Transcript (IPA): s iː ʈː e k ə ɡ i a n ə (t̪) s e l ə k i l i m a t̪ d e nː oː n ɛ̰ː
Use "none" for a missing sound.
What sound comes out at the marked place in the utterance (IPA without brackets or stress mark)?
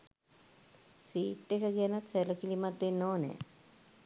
t̪